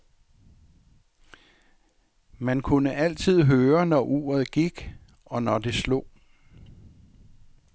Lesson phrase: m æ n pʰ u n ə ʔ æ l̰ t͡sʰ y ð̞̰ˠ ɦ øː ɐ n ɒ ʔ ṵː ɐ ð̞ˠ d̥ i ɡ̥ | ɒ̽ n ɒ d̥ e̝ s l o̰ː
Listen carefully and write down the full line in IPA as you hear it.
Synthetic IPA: m æ n kʰ u n ə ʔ æ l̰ t͡sʰ i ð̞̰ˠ ɦ øː ɐ n ɒ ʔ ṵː ɐ ð̞ˠ ɡ̥ i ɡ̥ | ɒ̽ n ɒ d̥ e̝ s l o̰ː